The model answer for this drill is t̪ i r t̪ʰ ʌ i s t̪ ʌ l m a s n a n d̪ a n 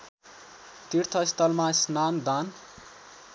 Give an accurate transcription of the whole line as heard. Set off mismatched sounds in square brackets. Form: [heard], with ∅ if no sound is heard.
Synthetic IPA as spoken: t̪ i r t̪ʰ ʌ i s t̪ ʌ l m a s n a n d̪ a n